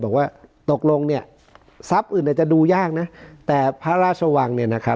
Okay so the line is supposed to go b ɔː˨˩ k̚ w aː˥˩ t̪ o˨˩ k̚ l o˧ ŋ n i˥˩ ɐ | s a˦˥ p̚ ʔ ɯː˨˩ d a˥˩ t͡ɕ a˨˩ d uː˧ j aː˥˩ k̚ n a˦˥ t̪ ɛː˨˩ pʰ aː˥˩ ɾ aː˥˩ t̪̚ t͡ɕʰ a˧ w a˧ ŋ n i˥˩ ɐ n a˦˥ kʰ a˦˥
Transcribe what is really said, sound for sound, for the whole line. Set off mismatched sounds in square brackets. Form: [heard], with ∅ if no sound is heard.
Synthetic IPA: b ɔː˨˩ k̚ w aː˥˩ t̪ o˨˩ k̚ l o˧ ŋ n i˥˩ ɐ | s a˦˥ p̚ ʔ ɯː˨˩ [n] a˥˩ t͡ɕ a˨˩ d uː˧ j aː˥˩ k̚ n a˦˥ t̪ ɛː˨˩ pʰ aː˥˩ ɾ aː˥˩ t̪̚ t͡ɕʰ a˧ w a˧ ŋ n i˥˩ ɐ n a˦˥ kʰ a˦˥